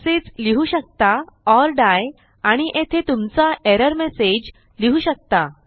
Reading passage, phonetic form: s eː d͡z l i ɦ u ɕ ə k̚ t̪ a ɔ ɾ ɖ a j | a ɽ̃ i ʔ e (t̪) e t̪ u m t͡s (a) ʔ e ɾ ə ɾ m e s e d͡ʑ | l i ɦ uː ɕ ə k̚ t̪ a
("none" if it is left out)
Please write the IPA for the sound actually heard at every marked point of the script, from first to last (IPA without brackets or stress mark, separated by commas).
t̪ʰ, a